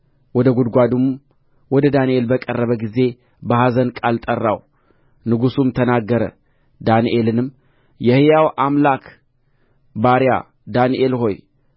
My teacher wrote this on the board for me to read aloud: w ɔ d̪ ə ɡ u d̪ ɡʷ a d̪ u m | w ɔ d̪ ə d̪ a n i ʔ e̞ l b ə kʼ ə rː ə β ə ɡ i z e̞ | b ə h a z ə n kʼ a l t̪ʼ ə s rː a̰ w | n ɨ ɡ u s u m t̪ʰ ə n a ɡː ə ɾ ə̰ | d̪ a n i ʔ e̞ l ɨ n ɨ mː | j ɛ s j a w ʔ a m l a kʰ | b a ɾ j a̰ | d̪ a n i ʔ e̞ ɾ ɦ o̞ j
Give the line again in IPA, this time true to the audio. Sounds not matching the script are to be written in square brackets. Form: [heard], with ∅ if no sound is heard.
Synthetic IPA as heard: w ɔ d̪ ə ɡ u d̪ ɡʷ a d̪ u m | w ɔ d̪ ə d̪ a n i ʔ e̞ l b ə kʼ ə rː ə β ə ɡ i z e̞ | b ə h a z ə n kʼ a l t̪ʼ ə [∅] rː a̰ w | n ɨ ɡ u s u m t̪ʰ ə n a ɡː ə ɾ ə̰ | d̪ a n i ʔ e̞ l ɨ n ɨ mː | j ɛ [h] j a w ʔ a m l a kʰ | b a ɾ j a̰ | d̪ a n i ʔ e̞ [l] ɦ o̞ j

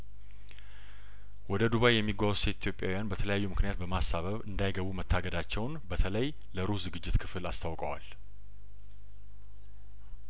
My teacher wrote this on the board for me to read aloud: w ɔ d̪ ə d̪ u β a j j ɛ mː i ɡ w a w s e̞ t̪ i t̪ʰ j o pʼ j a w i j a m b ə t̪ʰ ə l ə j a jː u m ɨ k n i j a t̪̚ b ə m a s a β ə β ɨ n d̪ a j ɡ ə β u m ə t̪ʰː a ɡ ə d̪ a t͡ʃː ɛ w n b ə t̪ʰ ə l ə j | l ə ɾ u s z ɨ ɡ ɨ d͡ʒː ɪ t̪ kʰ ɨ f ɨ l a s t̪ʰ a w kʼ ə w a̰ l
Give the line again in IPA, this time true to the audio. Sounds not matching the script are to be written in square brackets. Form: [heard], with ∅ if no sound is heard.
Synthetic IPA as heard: w ɔ d̪ ə d̪ u β a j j ɛ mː i ɡ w a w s e̞ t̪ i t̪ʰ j o pʼ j a w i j a [n] b ə t̪ʰ ə l ə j a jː u m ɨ k n i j a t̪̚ b ə m a s a β ə β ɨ n d̪ a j ɡ ə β u m ə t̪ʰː a ɡ ə d̪ a t͡ʃː ɛ w n b ə t̪ʰ ə l ə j | l ə ɾ u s z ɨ ɡ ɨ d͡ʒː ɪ t̪ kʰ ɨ f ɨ l a s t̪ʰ a w kʼ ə w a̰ l

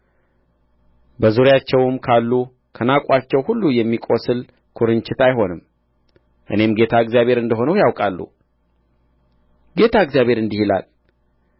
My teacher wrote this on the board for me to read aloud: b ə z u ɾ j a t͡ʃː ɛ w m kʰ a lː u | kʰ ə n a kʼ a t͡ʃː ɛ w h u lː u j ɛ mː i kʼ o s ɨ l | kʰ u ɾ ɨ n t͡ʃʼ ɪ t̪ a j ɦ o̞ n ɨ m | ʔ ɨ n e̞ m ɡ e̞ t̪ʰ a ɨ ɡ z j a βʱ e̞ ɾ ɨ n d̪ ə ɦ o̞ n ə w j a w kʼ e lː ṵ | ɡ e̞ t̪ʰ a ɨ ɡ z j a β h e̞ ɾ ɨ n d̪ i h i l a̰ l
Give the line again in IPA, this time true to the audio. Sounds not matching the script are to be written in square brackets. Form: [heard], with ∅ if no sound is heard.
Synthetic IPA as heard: b ə z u ɾ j a t͡ʃː ɛ w m kʰ a lː u | kʰ ə n a kʼ a t͡ʃː ɛ w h u lː u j ɛ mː i kʼ o s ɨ l | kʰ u ɾ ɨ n [t͡ʃ] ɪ t̪ a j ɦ o̞ n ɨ m | ʔ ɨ n e̞ m ɡ e̞ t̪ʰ a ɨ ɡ z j a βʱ e̞ ɾ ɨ n d̪ ə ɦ o̞ n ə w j a w kʼ [a] lː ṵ | ɡ e̞ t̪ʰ a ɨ ɡ z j a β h e̞ ɾ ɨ n d̪ i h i l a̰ l

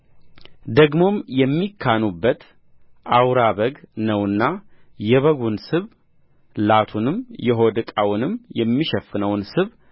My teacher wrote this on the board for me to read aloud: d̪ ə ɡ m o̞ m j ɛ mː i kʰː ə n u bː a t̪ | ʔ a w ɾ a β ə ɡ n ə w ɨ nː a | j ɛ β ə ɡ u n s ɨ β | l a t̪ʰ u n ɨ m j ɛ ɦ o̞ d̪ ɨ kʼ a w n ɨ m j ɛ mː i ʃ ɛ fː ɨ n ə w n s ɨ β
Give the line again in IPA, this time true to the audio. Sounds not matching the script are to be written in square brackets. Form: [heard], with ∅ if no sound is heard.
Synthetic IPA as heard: d̪ ə ɡ m o̞ m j ɛ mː i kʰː [a] n u bː [ə] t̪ | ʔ a w ɾ a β ə ɡ n ə w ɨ nː a | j ɛ β ə ɡ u n s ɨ β | l a t̪ʰ u n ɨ m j ɛ ɦ o̞ d̪ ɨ kʼ a w n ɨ m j ɛ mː i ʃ ɛ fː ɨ n ə w n s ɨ β

